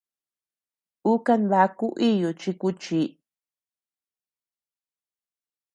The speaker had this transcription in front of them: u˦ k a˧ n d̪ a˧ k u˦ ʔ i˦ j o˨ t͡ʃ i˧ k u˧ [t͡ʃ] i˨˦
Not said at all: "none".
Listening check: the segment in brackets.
t͡ʃ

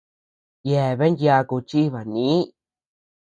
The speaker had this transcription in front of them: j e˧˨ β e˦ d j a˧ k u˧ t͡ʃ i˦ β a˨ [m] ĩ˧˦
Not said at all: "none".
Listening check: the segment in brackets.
n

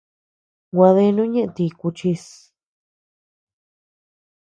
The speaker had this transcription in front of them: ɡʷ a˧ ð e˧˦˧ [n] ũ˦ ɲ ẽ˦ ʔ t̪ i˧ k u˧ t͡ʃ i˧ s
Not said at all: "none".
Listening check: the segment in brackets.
n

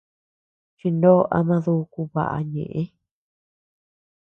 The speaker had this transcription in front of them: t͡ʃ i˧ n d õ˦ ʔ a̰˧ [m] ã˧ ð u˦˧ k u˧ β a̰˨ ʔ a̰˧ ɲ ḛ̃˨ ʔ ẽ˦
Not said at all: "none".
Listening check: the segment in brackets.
m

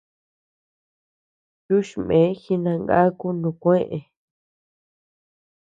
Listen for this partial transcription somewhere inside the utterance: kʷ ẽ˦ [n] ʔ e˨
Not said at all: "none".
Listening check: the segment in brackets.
none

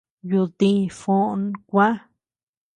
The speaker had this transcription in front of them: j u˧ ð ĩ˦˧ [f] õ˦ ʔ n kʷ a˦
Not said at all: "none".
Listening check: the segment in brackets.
f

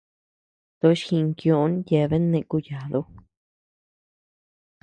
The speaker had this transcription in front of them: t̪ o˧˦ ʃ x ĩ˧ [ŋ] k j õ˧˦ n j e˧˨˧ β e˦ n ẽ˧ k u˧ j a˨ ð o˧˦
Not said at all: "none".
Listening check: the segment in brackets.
ŋ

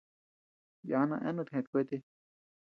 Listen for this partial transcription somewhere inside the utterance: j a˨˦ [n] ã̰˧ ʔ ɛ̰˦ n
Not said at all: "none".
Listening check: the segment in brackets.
n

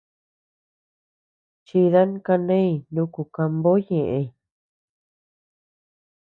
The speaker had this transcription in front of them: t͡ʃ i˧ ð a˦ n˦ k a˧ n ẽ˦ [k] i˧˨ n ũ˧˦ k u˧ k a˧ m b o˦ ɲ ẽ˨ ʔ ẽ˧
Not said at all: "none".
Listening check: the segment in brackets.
none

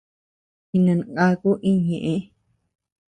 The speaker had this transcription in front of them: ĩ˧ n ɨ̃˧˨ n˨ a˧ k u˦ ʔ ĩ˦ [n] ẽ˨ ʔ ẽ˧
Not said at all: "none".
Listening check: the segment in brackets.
ɲ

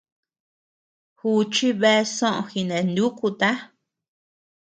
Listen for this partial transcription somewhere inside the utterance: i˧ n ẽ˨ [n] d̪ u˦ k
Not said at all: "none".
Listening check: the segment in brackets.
n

